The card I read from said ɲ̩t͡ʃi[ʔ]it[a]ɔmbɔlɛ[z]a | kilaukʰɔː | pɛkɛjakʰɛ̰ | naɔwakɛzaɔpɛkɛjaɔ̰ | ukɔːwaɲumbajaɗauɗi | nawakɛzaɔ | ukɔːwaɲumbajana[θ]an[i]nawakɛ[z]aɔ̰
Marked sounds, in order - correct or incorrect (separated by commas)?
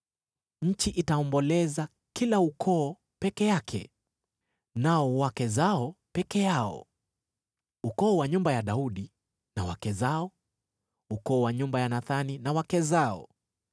correct, correct, correct, correct, correct, correct